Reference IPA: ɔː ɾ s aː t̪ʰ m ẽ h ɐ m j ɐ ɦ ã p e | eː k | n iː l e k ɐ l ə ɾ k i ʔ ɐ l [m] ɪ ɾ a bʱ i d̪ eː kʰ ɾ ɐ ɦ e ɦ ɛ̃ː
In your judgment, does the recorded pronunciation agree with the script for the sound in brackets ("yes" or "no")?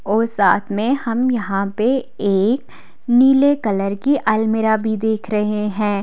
yes